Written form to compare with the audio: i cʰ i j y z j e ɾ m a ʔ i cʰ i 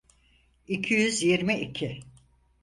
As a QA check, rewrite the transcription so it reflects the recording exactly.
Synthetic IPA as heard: i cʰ i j y z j i ɾ m i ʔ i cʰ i